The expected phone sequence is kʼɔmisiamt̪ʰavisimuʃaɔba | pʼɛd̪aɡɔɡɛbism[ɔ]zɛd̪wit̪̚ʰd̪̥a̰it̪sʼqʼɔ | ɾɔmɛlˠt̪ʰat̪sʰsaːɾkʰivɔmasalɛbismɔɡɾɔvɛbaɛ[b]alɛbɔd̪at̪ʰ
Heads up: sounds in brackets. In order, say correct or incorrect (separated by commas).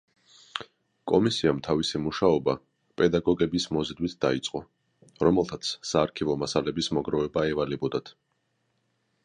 correct, incorrect